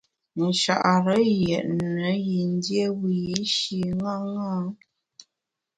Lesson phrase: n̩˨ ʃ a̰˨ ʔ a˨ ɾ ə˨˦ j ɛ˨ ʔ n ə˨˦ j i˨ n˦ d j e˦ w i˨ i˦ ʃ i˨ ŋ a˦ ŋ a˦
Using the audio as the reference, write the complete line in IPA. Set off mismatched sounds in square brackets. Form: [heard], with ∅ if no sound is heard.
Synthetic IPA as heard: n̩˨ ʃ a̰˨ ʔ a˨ ɾ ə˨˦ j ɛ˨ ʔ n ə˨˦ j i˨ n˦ d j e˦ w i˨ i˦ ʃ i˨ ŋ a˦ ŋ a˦

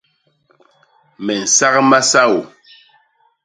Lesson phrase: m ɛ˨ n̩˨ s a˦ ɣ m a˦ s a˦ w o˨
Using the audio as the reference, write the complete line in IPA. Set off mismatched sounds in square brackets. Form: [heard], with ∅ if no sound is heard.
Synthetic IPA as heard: m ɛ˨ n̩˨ s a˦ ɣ m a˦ s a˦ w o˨

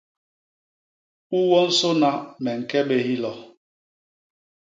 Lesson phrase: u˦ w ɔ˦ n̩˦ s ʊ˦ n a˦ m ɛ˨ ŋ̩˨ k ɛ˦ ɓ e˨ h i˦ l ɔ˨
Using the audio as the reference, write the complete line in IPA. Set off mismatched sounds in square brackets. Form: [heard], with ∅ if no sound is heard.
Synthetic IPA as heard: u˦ w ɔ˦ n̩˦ s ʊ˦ n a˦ m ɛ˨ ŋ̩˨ k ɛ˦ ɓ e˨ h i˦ l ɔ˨

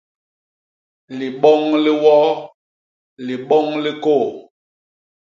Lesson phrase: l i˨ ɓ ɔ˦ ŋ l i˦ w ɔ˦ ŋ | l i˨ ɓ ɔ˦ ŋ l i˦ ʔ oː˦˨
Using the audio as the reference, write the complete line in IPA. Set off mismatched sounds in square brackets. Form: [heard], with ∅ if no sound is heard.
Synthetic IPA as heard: l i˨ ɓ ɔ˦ ŋ l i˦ w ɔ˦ [∅] | l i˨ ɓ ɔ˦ ŋ l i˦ [k] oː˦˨

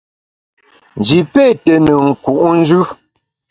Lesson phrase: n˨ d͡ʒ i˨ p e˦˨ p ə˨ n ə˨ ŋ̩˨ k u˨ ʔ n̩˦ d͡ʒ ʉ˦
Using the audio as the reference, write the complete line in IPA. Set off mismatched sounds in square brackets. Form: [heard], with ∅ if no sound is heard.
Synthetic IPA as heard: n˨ d͡ʒ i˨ p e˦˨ [t] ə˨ n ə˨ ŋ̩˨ k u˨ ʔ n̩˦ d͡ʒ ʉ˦

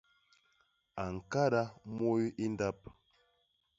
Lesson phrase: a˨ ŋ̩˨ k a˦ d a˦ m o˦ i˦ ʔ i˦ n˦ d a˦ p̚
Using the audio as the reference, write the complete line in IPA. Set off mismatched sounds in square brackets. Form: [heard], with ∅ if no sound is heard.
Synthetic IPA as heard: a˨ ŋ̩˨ k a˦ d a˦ m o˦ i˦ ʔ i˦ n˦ d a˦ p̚

